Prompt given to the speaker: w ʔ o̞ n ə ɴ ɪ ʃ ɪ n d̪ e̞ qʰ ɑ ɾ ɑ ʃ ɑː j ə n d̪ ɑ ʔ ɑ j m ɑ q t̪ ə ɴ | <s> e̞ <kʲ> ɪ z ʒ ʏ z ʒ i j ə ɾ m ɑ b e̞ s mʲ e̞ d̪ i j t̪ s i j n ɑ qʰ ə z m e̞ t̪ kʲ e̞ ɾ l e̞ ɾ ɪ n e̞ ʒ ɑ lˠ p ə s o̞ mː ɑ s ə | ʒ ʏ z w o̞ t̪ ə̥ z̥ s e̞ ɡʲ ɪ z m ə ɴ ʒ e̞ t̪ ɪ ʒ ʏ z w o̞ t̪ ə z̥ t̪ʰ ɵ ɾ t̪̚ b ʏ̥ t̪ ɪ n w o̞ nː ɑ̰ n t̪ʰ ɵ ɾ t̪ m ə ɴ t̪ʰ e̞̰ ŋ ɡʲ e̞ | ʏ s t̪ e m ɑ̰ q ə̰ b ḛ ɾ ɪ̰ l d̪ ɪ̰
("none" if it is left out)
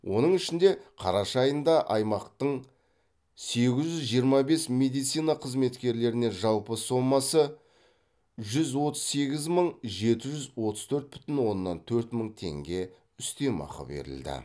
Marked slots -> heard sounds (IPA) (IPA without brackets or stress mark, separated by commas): s, ɡʲ